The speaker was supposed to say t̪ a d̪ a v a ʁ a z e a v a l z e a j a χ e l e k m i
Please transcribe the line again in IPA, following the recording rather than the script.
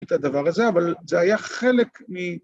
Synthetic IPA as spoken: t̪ a d̪ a v a ʁ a z e a v a l z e a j a χ e l e k m i